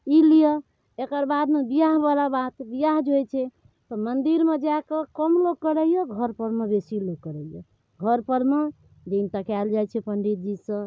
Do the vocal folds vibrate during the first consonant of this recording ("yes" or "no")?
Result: yes